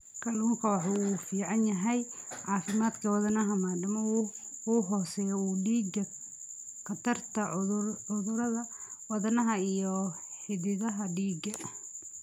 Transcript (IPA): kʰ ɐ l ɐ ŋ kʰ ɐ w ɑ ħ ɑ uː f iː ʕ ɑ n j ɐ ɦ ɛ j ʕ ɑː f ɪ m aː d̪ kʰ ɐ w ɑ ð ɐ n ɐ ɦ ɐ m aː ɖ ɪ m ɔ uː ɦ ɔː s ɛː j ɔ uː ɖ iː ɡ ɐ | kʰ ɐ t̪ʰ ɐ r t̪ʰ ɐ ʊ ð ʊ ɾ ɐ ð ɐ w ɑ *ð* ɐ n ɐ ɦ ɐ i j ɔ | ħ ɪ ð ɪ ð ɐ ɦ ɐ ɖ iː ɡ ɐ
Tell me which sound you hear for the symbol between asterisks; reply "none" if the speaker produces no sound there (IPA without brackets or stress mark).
ð